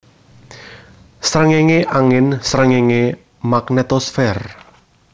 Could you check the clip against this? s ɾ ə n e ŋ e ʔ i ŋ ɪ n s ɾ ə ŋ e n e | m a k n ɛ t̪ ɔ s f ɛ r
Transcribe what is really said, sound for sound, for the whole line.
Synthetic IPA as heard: s ɾ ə ŋ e ŋ e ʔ a ŋ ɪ n s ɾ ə ŋ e ŋ e | m a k n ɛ t̪ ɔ s f ɛ r